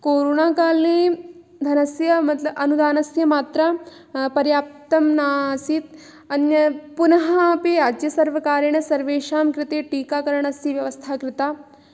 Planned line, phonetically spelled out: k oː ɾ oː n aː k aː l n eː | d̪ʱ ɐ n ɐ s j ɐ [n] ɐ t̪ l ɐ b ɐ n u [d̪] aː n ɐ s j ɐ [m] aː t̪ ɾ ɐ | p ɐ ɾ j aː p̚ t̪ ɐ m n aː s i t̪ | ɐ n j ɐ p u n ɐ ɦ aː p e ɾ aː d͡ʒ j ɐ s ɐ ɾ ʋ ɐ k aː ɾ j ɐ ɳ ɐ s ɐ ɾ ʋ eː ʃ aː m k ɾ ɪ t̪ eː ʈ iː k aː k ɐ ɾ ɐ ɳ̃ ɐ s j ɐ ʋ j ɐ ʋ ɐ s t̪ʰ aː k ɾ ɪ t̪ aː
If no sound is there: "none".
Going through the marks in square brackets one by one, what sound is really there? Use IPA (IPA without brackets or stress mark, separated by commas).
m, d̪, m